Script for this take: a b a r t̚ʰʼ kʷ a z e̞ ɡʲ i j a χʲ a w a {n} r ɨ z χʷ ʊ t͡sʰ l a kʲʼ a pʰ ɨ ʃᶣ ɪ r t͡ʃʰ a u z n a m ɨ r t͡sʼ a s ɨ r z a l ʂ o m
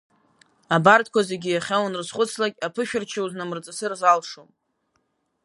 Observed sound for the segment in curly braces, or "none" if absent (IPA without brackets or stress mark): n